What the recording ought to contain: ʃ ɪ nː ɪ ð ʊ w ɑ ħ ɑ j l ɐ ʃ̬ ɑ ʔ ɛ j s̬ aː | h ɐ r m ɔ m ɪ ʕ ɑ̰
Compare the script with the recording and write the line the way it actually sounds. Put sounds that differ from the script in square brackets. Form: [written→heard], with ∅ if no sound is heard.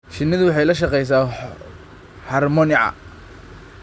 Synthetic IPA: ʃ ɪ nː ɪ ð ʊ w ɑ ħ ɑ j l ɐ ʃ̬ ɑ [ʔ→q] ɛ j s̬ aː | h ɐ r m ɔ [m→n] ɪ ʕ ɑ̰